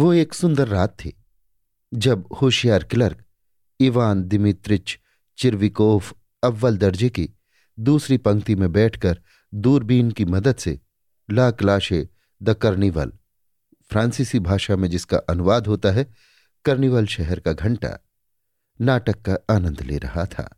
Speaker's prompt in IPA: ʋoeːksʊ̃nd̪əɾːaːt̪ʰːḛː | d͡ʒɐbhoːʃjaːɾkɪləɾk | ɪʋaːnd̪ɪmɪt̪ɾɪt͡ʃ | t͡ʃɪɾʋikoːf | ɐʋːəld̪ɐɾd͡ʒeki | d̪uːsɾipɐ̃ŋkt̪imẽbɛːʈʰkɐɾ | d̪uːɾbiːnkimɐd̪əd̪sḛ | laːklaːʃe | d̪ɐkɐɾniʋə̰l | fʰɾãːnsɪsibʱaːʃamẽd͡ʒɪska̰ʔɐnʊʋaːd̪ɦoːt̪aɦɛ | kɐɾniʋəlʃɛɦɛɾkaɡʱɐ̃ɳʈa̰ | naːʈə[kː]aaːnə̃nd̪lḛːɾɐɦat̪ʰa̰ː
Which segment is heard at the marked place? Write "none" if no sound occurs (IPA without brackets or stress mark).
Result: kː